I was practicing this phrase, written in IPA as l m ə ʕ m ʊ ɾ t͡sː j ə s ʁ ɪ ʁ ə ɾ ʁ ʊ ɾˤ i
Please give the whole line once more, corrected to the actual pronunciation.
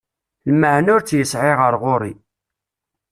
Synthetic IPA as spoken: l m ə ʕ n ʊ ɾ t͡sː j ə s ʕ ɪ ʁ ə ɾ ʁ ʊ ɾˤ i

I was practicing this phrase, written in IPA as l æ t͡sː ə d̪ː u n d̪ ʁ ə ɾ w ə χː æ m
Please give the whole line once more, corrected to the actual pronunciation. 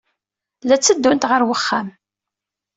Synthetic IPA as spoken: l æ t͡sː ə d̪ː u n t̪ ʁ ə ɾ w ə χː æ m

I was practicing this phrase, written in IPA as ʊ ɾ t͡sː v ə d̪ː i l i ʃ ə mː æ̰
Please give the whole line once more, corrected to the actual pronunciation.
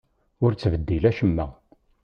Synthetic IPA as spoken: ʊ ɾ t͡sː v ə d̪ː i l æ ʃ ə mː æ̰

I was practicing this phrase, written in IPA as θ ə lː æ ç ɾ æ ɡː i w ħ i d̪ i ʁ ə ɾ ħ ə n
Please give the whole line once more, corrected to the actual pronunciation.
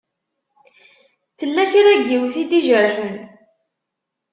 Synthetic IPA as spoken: θ ə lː æ ç ɾ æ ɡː i w θ i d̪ i ʒ ə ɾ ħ ə n

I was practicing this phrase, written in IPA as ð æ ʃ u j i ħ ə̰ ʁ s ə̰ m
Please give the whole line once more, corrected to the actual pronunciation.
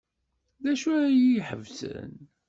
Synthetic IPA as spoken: ð æ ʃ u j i ħ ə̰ v s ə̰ n

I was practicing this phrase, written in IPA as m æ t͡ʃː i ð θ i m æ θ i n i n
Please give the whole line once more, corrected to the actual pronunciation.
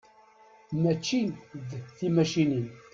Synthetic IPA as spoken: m æ t͡ʃː i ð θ i m æ ʃ i n i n

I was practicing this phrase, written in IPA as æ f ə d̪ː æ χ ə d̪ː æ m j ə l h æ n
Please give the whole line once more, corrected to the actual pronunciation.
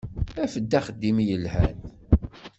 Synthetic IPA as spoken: æ f ə d̪ː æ χ ə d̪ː i m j ə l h æ n

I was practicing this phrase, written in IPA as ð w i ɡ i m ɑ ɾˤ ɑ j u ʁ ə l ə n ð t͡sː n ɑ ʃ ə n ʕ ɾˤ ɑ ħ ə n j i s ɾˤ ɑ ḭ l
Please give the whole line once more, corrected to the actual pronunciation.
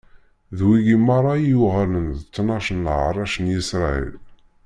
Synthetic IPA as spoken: ð w i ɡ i m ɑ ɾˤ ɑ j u ʁ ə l ə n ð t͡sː n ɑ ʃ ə n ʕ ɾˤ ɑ ʃ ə n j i s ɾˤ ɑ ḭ l

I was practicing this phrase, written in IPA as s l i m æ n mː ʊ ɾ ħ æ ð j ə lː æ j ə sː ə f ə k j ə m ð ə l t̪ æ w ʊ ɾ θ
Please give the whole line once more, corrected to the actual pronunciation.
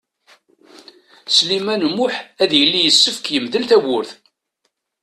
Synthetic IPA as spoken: s l i m æ n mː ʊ ħ æ ð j ə lː i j ə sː ə f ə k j ə m ð ə l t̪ æ w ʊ ɾ θ

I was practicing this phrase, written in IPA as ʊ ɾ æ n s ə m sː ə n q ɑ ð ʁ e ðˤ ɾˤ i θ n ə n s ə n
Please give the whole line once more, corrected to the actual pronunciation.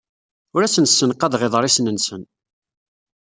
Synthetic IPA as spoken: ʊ ɾ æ s ə n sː ə n q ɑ ð ʁ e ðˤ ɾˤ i s n ə n s ə n

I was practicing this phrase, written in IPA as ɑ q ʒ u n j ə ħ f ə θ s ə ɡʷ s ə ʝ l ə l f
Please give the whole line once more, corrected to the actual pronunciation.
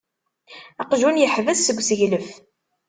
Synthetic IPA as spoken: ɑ q ʒ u n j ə ħ v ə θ s ə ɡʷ s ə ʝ l ə f

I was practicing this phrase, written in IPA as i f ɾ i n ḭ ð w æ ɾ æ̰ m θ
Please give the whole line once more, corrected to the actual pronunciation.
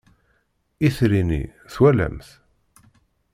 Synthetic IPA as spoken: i θ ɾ i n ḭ θ w æ l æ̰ m θ

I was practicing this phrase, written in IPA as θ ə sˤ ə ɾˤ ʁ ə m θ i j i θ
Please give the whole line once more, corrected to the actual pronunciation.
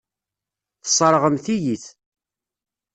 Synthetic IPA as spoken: θ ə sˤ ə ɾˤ ʁ ə m θ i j i θ

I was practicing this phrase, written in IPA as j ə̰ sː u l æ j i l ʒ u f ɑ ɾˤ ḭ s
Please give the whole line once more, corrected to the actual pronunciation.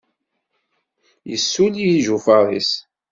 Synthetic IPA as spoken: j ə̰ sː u l i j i ʒ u f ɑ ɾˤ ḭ s

